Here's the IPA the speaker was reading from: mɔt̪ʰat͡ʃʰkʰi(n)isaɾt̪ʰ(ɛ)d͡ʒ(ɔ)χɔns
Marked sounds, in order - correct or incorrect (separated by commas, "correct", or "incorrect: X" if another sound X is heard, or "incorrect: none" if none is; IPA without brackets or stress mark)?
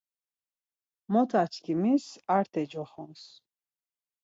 incorrect: m, correct, correct